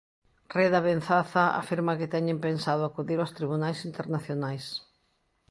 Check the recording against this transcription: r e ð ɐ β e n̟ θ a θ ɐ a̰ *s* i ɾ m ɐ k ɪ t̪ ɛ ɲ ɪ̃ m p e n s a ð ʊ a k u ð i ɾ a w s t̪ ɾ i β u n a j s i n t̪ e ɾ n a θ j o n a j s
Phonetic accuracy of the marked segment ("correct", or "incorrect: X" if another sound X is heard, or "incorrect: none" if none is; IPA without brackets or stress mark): incorrect: f